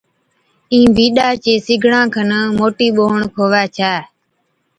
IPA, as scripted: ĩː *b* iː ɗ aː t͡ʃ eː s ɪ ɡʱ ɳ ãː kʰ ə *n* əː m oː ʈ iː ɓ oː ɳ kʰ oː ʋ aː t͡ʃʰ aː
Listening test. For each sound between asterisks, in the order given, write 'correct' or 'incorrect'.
correct, correct

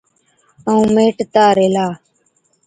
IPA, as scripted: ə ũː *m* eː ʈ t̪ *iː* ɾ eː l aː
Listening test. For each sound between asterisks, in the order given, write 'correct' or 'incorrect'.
correct, incorrect: aː

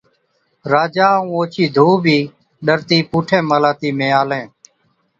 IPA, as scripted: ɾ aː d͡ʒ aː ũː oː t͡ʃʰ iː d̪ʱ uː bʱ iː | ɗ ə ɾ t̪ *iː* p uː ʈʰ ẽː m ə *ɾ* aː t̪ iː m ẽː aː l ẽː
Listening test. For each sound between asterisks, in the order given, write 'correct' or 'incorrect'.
correct, incorrect: l

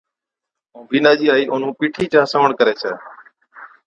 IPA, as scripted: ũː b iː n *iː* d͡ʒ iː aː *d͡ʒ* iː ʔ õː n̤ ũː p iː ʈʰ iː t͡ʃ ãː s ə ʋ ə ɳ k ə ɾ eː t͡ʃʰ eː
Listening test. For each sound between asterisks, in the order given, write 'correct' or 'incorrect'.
incorrect: aː, incorrect: none

